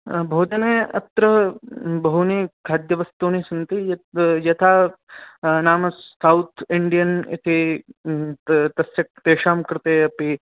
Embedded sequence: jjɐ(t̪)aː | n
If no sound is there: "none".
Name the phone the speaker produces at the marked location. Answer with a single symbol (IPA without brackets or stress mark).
t̪ʰ